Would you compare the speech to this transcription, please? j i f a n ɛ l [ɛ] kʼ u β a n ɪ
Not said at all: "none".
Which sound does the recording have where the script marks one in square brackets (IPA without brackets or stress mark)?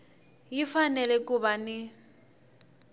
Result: ɛ